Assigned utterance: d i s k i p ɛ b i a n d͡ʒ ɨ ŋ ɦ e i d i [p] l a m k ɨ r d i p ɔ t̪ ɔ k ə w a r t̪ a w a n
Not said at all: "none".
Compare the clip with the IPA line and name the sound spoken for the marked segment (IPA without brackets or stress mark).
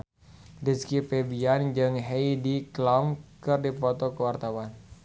k